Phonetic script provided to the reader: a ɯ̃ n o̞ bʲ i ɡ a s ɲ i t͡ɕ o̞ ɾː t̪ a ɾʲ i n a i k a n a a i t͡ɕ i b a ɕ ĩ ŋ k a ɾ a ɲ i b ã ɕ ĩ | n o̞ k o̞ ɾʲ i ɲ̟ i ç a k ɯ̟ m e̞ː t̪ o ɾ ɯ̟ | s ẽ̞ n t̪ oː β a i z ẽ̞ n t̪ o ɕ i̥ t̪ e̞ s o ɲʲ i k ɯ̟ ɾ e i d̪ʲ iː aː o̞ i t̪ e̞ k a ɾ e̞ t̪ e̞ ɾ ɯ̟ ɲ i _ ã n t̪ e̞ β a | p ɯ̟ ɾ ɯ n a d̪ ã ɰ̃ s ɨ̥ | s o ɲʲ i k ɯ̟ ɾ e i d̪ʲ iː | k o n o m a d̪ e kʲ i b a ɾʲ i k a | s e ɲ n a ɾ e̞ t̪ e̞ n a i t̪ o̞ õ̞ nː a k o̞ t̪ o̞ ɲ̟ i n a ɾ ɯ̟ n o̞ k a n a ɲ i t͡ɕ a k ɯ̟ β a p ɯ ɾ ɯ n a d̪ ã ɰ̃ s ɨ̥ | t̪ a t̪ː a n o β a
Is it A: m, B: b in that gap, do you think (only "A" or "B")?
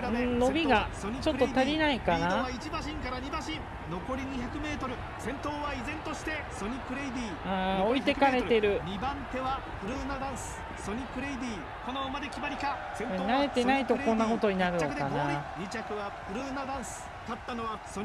B